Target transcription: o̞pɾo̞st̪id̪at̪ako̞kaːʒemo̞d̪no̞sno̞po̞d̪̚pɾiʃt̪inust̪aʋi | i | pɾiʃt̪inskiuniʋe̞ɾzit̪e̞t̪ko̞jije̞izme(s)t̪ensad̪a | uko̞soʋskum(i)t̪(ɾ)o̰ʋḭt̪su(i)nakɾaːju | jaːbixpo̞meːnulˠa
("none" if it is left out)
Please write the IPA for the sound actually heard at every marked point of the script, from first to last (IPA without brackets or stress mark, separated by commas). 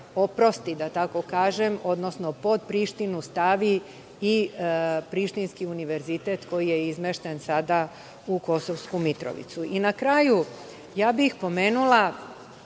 ʃ, i, ɾ, i